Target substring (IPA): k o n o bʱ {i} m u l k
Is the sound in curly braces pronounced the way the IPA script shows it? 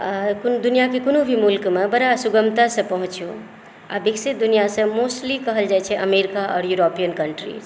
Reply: yes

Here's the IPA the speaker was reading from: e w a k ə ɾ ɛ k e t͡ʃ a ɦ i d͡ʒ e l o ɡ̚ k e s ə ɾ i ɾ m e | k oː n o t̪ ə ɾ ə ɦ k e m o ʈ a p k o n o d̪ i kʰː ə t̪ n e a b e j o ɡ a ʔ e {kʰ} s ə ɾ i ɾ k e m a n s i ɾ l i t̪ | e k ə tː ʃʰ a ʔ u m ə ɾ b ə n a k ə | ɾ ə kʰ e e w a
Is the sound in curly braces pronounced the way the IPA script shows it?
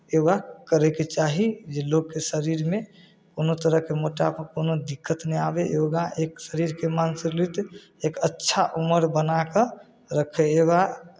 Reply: no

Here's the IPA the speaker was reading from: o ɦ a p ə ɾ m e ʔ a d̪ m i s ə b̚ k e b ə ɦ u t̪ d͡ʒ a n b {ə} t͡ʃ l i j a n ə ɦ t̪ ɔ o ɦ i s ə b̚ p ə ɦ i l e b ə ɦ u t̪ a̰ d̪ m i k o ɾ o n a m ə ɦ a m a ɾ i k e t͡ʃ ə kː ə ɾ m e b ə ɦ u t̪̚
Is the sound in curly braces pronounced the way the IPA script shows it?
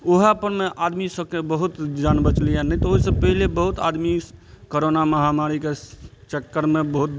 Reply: yes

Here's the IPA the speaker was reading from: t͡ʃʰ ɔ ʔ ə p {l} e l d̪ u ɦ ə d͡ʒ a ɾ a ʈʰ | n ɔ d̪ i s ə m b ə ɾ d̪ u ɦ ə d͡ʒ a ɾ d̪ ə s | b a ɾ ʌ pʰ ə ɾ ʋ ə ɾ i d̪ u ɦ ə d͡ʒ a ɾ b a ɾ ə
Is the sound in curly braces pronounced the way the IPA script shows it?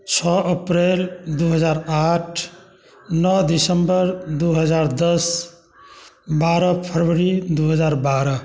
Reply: no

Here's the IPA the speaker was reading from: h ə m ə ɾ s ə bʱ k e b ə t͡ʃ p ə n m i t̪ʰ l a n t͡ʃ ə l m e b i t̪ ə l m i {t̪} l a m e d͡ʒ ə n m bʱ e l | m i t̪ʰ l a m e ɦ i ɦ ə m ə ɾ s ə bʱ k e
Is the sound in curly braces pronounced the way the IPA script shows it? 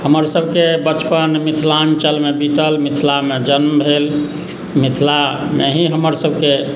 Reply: no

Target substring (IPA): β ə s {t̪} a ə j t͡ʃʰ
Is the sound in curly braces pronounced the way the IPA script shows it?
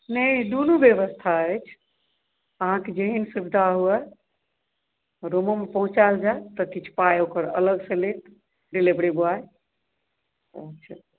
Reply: no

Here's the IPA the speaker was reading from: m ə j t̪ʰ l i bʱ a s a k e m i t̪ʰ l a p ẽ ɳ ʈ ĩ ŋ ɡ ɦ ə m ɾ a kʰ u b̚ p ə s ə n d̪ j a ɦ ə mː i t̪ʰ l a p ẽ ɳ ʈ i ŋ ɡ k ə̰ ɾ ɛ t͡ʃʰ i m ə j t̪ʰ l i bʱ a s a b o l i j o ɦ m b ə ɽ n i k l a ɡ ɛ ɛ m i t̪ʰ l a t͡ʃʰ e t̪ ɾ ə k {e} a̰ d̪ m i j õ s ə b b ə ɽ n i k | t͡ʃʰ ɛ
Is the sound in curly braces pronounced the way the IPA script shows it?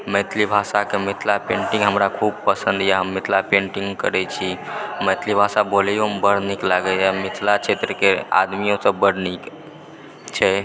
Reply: yes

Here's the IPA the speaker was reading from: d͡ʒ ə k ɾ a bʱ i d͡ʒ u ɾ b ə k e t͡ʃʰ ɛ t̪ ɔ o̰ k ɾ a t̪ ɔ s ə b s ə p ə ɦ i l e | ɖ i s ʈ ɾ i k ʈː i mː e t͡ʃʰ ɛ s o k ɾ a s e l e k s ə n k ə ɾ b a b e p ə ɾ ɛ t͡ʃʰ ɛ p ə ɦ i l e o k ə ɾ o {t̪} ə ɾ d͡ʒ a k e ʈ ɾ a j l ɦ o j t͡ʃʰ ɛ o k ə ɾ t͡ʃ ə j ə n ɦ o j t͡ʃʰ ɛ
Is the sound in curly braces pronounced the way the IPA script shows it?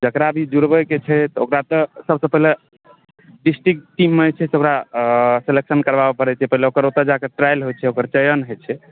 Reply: yes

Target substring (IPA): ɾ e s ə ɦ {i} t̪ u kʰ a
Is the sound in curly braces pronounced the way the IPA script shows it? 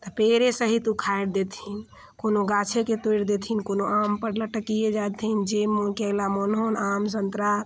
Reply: yes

